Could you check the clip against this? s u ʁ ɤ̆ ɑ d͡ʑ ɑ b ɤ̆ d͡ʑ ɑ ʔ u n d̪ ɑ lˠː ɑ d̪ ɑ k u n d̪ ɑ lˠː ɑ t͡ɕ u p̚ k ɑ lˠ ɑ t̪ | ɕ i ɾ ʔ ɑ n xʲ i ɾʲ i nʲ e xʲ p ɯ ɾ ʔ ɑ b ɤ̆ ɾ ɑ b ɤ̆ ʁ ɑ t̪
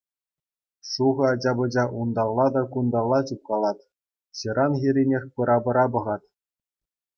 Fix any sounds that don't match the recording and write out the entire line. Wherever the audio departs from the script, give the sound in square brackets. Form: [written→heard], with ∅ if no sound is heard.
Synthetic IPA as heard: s u ʁ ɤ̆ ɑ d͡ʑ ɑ b ɤ̆ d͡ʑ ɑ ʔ u n d̪ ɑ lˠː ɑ d̪ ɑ k u n d̪ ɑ lˠː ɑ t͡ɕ u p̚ k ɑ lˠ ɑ t̪ | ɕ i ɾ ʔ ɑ n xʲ i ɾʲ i nʲ e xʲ p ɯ ɾ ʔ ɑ b ɤ̆ ɾ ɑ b ɤ̆ ʁ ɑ t̪